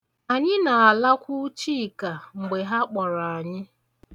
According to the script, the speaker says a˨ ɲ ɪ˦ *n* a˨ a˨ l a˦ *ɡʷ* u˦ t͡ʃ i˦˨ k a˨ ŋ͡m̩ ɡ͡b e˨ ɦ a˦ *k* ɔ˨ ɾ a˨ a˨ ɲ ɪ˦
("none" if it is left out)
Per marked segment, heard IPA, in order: n, kʷ, k͡p

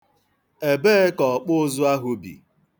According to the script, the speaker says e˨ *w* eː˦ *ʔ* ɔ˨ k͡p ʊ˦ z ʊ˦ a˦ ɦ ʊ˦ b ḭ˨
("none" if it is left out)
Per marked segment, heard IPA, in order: b, k

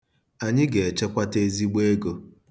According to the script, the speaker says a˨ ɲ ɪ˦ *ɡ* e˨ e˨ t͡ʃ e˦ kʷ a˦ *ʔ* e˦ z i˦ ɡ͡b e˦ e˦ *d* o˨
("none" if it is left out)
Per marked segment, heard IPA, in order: ɡ, t, ɡ

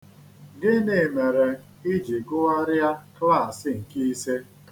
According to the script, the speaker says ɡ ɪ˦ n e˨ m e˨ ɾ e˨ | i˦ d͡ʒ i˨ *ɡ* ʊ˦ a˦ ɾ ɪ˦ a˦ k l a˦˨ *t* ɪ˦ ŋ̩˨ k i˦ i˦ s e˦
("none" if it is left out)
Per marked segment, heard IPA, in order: ɡ, s

